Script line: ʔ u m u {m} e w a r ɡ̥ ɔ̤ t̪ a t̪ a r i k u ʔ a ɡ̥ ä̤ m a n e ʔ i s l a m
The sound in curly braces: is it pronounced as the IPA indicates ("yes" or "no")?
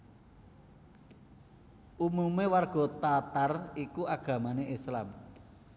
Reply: yes